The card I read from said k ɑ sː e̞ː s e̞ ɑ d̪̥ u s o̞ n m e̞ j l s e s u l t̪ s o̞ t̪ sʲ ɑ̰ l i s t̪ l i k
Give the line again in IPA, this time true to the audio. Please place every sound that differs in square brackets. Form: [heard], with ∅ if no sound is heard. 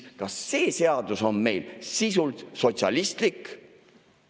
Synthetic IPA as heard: k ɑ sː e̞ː s e̞ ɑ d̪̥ u s o̞ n m e̞ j l s [i] s u l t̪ s o̞ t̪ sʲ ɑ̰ l i s t̪ l i k